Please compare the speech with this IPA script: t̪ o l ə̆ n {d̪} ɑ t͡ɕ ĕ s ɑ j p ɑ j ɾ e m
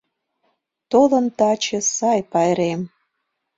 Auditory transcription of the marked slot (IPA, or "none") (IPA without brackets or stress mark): t̪